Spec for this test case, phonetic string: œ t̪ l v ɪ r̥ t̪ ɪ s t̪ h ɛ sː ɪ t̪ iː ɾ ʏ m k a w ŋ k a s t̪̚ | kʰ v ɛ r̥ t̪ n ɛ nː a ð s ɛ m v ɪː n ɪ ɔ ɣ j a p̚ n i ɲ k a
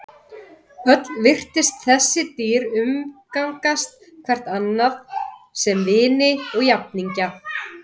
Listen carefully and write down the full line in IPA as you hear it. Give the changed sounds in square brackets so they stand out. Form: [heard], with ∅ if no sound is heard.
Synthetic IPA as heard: œ t̪ l v ɪ r̥ t̪ ɪ s t̪ [θ] ɛ sː ɪ t̪ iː ɾ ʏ m k a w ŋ k a s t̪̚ | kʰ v ɛ r̥ t̪ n [a] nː a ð s ɛ m v ɪː n ɪ ɔ ɣ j a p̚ n i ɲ [c] a

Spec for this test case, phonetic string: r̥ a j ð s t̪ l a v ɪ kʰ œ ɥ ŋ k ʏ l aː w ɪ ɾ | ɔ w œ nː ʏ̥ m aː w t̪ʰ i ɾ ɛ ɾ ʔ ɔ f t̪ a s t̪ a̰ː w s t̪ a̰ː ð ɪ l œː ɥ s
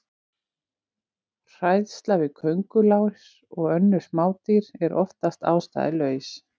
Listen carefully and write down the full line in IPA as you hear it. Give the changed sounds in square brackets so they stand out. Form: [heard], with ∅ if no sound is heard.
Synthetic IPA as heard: r̥ a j ð s t̪ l a v ɪ kʰ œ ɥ ŋ k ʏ l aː w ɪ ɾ | ɔ [ɣ] œ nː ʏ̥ m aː w [t̪] i ɾ ɛ ɾ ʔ ɔ f t̪ a s t̪ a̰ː w s t̪ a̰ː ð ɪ l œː ɥ s

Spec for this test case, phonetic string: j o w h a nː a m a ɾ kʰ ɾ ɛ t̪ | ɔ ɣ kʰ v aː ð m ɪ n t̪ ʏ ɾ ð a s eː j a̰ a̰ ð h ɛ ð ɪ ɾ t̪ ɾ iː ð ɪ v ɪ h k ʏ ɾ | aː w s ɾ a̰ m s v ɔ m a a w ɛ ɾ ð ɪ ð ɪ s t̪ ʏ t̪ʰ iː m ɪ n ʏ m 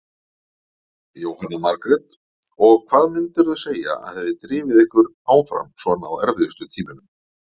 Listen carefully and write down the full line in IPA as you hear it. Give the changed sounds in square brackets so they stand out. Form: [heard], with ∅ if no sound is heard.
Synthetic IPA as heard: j o w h a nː a m a ɾ [k] ɾ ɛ t̪ | ɔ ɣ kʰ v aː ð m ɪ n t̪ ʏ ɾ ð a s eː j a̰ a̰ ð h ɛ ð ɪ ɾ t̪ ɾ iː [v] ɪ [ð] ɪ h k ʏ ɾ | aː w [f] ɾ a̰ m s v ɔ [n] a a w ɛ ɾ [v] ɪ ð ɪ s t̪ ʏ t̪ʰ iː m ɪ n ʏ m

